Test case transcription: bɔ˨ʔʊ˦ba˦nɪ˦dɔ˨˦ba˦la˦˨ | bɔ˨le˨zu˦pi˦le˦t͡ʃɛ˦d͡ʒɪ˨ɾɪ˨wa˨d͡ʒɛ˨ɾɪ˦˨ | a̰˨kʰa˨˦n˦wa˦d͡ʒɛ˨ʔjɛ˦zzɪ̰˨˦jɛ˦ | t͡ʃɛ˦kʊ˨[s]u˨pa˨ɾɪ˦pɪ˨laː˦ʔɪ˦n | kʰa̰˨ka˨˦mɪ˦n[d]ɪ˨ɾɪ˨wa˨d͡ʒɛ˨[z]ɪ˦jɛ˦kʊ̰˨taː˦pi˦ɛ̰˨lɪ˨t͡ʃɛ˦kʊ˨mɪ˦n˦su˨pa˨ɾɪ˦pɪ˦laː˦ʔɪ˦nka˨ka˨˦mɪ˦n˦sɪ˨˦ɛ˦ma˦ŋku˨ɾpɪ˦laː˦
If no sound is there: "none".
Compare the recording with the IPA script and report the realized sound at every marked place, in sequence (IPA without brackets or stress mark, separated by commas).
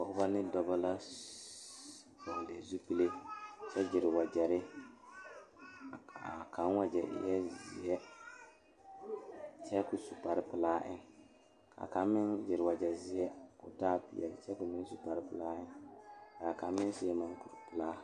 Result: s, d͡ʒ, z